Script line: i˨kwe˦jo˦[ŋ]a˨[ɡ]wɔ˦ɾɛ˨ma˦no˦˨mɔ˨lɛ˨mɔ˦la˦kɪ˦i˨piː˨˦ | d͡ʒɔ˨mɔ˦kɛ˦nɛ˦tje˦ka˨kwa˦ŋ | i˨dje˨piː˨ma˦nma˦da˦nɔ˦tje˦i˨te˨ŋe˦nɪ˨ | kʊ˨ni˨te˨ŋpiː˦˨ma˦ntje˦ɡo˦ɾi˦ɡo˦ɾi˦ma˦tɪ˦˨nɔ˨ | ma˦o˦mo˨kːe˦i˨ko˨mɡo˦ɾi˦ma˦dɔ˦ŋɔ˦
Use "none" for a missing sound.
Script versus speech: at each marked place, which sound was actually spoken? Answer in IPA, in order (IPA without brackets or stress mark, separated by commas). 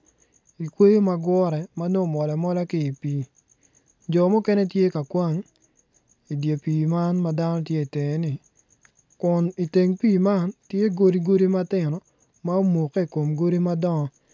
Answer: m, ɡ